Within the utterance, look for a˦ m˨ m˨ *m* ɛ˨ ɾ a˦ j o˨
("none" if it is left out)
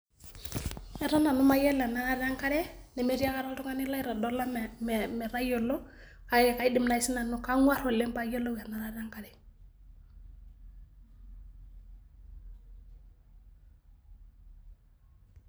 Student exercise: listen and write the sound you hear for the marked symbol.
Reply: m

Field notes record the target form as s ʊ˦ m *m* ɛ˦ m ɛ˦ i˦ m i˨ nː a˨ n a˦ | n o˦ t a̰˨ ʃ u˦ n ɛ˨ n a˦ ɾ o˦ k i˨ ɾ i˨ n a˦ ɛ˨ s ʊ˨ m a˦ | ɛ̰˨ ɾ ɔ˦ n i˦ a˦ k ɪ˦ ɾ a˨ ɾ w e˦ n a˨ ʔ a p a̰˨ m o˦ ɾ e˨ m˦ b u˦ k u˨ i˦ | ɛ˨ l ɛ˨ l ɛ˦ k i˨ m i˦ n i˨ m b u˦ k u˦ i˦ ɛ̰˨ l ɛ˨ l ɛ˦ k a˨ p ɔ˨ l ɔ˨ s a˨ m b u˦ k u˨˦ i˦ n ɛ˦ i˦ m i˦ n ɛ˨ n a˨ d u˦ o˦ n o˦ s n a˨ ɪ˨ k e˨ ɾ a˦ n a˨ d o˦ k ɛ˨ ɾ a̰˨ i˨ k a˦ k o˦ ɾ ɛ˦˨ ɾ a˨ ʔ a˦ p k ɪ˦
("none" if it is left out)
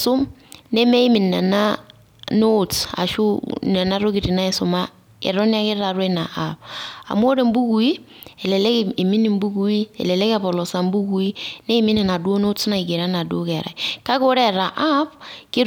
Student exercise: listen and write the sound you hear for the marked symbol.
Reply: n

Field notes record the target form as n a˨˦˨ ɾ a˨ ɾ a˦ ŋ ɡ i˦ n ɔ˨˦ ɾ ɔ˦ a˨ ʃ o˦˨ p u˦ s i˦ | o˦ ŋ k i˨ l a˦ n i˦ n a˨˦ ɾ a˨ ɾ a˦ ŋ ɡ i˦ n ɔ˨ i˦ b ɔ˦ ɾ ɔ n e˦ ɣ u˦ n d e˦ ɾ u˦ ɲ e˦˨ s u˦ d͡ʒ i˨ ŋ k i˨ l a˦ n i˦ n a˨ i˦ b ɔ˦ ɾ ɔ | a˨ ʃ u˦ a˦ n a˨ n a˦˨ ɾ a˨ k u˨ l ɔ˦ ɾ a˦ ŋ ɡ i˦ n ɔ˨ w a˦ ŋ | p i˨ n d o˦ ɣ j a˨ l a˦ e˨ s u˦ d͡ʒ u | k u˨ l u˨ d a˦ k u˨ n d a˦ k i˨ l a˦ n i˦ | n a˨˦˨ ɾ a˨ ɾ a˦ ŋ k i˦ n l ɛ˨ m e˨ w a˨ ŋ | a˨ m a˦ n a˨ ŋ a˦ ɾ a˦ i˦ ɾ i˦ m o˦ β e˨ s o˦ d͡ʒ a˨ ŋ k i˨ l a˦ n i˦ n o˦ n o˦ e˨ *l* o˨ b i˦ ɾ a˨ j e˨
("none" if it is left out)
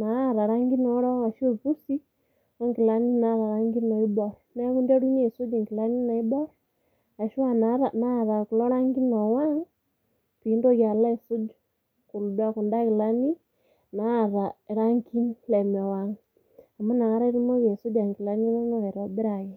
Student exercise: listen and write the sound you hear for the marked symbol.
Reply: ɾ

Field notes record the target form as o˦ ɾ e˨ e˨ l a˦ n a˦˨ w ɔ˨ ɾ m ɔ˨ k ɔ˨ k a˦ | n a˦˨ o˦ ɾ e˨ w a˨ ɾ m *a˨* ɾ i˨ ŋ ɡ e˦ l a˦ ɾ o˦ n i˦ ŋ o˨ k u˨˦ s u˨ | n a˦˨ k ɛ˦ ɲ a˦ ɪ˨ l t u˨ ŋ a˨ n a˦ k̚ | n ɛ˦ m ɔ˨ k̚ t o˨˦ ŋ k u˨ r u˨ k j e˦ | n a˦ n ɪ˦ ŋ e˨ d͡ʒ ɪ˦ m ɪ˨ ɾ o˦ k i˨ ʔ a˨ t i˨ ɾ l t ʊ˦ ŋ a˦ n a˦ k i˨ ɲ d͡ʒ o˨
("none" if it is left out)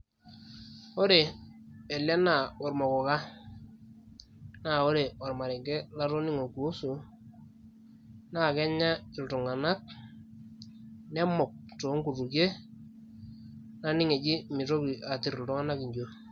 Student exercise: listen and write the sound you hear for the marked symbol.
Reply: a˨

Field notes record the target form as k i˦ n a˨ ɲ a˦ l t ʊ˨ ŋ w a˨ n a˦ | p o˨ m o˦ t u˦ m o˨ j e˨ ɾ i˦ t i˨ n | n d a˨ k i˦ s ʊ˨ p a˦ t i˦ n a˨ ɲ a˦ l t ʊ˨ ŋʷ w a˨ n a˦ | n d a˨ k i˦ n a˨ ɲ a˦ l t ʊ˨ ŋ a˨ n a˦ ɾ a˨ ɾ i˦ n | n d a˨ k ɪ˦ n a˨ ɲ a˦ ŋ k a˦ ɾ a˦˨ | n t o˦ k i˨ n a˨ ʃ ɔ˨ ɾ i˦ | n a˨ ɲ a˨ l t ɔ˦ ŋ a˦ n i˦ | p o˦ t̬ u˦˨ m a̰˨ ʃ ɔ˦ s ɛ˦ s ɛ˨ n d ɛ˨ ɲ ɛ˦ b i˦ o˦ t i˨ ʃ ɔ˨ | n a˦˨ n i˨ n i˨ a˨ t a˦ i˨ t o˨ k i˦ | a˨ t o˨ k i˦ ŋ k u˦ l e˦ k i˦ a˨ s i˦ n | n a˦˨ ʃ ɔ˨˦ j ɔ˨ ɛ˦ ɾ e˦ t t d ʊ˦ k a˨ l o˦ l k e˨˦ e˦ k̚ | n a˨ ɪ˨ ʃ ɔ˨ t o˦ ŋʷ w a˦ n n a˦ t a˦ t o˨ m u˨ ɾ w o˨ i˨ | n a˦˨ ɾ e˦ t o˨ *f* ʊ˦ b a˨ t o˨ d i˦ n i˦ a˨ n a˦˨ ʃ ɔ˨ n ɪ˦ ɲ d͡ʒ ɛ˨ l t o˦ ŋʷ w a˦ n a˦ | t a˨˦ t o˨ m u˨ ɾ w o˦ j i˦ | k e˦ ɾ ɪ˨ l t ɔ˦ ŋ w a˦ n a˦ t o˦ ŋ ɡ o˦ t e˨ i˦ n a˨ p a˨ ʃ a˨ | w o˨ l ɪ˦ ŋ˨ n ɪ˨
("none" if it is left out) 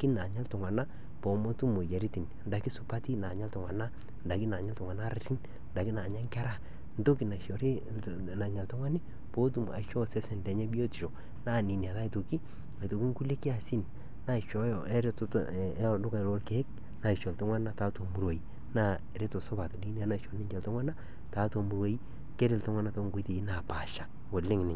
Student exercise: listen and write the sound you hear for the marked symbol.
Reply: s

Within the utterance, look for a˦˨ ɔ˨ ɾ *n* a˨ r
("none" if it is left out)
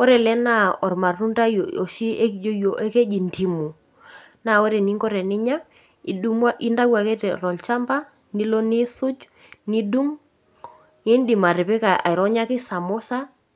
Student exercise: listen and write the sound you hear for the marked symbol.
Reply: m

